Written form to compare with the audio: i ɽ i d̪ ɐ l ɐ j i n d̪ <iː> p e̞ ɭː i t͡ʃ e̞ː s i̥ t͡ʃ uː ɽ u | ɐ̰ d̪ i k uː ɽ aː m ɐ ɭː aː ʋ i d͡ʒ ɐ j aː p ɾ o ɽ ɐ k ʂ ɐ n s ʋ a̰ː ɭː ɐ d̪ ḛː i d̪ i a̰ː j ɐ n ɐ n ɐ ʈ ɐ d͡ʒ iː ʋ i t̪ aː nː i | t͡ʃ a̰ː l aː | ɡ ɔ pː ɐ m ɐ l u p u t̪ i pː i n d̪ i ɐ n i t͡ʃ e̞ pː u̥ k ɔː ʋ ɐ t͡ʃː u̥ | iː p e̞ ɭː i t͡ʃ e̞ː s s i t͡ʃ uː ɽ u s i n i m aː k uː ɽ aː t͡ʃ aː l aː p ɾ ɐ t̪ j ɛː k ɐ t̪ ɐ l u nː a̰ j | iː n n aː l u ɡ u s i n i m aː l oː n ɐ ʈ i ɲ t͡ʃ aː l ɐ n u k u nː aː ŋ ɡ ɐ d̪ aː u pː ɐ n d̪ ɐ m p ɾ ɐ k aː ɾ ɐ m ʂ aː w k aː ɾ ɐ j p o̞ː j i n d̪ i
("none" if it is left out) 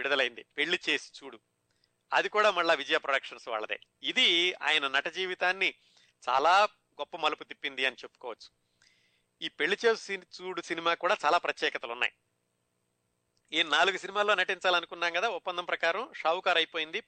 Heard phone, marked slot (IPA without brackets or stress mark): i